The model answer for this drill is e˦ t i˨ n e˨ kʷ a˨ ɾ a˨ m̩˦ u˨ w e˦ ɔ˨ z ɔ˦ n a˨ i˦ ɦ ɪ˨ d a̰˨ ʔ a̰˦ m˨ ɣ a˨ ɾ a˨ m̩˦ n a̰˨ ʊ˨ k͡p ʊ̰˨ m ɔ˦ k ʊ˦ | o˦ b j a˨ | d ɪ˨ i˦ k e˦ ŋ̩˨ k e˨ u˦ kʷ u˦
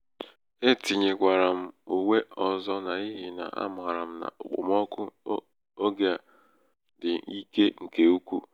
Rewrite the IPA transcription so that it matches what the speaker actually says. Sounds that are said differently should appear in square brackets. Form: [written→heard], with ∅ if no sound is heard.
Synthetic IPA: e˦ t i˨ [n→ɲ] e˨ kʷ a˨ ɾ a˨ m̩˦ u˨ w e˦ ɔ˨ z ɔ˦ n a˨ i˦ ɦ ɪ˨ [d→n] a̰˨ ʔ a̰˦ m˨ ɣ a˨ ɾ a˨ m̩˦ n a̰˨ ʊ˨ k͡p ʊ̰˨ m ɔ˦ k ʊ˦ | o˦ [b→ɡ] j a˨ | d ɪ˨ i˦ k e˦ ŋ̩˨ k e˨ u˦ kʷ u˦